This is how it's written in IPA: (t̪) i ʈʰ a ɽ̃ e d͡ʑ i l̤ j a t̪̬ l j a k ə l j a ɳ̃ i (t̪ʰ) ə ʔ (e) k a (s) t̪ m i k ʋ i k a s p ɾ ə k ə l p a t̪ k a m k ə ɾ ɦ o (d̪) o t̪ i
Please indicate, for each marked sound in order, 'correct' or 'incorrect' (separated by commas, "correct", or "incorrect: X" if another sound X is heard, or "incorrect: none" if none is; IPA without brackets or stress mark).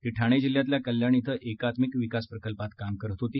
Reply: correct, correct, correct, incorrect: none, incorrect: t̪